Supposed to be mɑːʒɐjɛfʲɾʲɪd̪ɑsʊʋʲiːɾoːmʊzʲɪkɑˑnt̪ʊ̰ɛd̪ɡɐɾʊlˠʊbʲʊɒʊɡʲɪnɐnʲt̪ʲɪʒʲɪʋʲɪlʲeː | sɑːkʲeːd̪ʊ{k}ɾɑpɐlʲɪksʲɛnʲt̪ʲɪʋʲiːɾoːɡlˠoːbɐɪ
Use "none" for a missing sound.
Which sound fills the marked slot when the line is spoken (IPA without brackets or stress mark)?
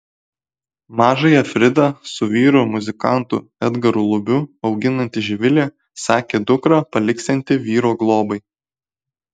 k